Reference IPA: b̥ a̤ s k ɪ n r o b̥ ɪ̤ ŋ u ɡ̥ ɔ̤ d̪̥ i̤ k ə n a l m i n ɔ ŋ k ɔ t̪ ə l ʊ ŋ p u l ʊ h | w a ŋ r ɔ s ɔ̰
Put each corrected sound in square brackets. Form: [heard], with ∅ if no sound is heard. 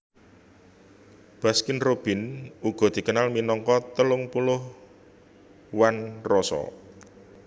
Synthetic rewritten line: b̥ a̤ s k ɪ n r o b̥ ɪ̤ [n] u ɡ̥ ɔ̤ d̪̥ i̤ k ə n a l m i n ɔ ŋ k ɔ t̪ ə l ʊ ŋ p u l ʊ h | w a [n] r ɔ s ɔ̰